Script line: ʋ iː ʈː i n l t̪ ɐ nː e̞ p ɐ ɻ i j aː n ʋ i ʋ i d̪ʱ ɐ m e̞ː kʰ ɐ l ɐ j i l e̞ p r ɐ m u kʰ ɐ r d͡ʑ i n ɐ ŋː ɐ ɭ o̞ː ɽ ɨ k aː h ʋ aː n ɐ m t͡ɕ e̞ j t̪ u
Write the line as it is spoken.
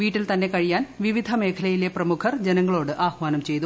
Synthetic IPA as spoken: ʋ iː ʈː i l t̪ ɐ nː e̞ k ɐ ɻ i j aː n ʋ i ʋ i d̪ʱ ɐ m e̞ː kʰ ɐ l ɐ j i l e̞ p r ɐ m u kʰ ɐ r d͡ʑ e n ɐ ŋː ɐ ɭ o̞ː ɽ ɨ ʔ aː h ʋ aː n ɐ m t͡ɕ e̞ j t̪ u